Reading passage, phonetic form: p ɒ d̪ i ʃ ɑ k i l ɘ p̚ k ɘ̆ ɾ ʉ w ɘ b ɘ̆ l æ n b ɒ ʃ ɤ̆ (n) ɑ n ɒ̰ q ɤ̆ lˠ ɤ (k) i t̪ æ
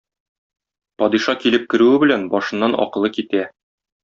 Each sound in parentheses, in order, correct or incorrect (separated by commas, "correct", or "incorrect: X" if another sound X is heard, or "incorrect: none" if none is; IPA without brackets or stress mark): incorrect: nː, correct